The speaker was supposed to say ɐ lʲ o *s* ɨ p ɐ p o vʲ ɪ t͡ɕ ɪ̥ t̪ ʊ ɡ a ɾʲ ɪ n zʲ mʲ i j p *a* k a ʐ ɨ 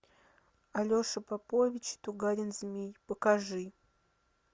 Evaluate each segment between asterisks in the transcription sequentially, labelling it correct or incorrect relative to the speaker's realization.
incorrect: ʂ, incorrect: ə

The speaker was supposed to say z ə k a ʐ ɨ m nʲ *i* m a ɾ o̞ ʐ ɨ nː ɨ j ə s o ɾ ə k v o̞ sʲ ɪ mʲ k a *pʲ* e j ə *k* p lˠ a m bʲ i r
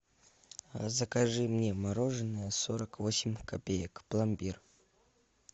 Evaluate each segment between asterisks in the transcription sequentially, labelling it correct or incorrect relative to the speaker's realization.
incorrect: e, correct, correct

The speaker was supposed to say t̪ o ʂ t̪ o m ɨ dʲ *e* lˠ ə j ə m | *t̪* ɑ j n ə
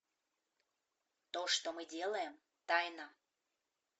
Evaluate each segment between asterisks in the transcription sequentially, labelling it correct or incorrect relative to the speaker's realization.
correct, correct

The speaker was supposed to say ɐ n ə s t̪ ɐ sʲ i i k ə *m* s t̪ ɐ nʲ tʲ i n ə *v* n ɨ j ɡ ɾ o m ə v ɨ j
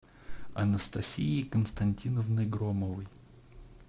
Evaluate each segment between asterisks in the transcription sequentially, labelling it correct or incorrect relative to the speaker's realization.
incorrect: n, correct

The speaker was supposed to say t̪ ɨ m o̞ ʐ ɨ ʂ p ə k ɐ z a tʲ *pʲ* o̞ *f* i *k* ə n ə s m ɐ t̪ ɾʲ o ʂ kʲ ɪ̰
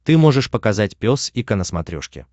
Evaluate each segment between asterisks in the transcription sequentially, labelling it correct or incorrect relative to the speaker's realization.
correct, incorrect: s, correct

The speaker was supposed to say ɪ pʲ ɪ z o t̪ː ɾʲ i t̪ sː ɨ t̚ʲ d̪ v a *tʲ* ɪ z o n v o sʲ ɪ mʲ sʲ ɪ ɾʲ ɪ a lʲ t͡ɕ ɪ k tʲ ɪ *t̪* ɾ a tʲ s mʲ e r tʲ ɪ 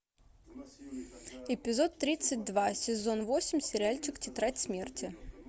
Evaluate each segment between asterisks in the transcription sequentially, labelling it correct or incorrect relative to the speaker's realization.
incorrect: sʲ, correct

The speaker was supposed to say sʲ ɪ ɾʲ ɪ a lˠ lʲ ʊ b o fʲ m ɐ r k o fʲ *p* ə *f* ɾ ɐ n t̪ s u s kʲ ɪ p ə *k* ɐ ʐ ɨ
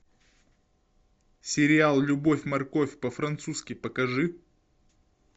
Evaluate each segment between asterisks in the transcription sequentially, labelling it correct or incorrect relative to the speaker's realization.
correct, correct, correct

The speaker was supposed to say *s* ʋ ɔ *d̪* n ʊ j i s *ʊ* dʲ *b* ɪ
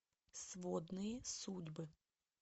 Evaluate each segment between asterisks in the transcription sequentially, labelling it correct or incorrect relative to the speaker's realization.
correct, correct, incorrect: u, correct

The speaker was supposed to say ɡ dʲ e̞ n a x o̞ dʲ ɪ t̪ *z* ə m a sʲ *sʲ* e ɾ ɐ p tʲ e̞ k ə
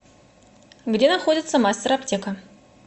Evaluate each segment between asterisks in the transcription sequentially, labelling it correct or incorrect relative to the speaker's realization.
incorrect: s, incorrect: tʲ

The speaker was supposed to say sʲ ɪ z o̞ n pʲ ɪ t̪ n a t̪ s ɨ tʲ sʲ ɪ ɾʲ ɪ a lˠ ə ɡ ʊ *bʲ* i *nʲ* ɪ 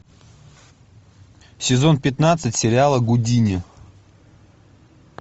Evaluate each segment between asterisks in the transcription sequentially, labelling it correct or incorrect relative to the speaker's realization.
incorrect: dʲ, correct

